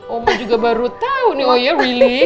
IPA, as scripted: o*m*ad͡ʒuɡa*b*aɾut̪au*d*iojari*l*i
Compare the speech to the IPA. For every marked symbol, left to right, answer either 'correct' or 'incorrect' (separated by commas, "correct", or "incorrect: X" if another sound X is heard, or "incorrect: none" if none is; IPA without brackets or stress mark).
correct, correct, incorrect: n, correct